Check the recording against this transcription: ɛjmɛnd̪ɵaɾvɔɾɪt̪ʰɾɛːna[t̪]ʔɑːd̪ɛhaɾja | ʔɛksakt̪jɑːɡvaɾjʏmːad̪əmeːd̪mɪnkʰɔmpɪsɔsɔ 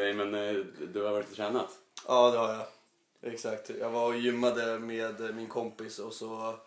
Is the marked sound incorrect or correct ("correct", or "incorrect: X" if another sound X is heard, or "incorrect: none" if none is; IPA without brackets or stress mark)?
correct